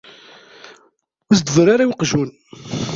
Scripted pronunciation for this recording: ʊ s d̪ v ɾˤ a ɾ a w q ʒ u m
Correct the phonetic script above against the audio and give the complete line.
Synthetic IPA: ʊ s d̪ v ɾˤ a ɾ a w q ʒ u n